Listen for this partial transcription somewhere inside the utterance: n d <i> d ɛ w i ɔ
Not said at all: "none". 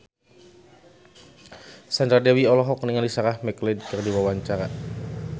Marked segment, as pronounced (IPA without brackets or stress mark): a